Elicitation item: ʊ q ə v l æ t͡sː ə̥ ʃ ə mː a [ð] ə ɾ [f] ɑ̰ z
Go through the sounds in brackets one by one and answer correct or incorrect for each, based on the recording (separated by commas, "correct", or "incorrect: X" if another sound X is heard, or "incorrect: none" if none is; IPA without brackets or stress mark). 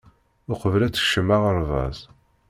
incorrect: ʁ, incorrect: v